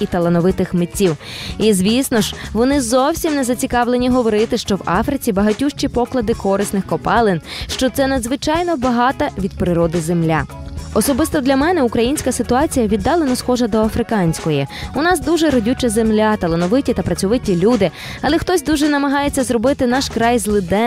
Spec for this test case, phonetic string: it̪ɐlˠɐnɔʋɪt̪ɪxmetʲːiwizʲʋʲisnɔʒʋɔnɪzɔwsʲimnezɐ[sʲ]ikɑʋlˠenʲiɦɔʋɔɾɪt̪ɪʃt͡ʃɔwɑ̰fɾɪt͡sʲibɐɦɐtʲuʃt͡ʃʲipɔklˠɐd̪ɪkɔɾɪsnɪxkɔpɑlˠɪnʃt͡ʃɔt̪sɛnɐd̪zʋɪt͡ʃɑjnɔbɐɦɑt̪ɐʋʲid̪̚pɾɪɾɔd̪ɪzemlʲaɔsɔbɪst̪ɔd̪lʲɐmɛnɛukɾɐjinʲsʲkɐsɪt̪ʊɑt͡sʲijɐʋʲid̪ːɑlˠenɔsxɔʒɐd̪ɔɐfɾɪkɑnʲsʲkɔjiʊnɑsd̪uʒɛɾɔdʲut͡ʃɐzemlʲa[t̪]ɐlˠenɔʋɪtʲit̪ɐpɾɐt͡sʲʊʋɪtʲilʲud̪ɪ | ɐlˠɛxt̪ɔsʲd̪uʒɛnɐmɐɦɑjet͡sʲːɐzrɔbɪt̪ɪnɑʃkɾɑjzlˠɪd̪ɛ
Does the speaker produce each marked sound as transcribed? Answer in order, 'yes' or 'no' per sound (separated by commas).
no, yes